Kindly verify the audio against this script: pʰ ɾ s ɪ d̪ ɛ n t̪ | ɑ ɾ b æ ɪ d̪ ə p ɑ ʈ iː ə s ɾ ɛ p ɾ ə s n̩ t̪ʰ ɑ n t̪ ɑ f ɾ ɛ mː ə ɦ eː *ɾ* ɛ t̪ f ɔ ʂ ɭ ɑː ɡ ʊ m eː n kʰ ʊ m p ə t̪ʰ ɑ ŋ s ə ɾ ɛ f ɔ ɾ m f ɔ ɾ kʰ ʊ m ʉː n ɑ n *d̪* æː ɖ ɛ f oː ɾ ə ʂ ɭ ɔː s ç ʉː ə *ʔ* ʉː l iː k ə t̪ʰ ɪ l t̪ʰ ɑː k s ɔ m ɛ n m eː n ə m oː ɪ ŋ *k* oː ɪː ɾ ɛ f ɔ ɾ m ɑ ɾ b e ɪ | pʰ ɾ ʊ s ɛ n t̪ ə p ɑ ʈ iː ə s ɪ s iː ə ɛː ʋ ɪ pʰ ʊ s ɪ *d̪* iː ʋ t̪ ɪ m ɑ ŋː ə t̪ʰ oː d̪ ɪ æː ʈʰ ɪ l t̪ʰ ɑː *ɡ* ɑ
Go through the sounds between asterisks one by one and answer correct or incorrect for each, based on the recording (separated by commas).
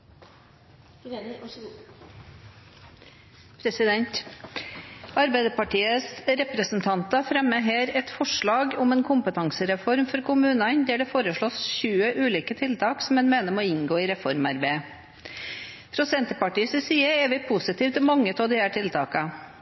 correct, correct, correct, incorrect, incorrect, incorrect